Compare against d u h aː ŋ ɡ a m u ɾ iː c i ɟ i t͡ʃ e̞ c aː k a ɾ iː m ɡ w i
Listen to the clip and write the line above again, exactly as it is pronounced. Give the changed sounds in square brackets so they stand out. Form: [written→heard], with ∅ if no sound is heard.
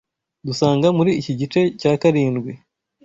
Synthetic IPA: d u [h→s] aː ŋ ɡ a m u ɾ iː c i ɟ i t͡ʃ e̞ c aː k a ɾ iː [m→n] ɡ w i